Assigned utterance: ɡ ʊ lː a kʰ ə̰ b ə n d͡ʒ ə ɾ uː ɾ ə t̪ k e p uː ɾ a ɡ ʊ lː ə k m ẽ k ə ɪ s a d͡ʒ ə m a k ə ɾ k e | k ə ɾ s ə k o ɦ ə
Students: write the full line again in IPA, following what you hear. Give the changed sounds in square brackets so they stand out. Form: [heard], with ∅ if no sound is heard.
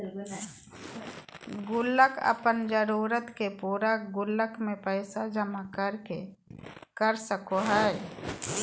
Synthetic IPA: ɡ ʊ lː [ə] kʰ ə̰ [p] ə n d͡ʒ ə ɾ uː ɾ ə t̪ k e p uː ɾ a ɡ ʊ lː ə k m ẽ [p] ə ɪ s a d͡ʒ ə m a k ə ɾ k e | k ə ɾ s ə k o ɦ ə